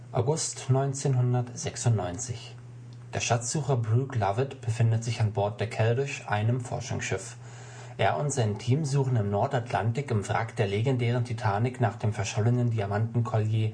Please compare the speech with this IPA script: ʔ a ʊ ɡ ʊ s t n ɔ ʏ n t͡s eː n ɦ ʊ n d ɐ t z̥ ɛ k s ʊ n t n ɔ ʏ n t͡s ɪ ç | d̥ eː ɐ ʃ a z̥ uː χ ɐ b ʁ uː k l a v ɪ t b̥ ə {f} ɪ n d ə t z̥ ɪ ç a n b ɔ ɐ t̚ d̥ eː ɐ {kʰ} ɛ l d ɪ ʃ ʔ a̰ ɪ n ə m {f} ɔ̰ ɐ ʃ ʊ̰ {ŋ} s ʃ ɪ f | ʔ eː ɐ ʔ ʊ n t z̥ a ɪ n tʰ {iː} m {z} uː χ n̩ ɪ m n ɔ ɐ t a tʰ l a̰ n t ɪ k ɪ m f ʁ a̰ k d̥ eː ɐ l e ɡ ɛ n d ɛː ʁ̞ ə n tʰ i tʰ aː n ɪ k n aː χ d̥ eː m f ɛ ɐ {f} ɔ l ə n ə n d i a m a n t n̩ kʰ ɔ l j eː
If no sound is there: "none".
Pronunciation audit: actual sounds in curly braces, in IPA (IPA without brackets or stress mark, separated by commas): f, kʰ, f, ŋ, iː, z, ʃ